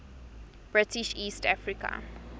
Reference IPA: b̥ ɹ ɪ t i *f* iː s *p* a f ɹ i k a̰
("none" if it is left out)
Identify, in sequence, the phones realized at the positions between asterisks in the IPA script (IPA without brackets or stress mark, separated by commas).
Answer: ʃ, t